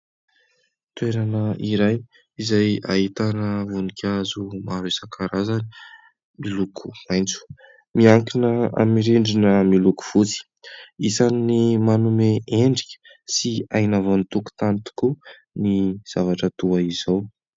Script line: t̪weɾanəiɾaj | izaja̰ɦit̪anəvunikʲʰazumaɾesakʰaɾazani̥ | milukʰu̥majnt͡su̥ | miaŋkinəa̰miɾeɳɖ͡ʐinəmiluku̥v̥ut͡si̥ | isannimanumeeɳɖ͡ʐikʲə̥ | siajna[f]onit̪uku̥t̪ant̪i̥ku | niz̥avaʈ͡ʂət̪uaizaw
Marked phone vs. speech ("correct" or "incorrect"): incorrect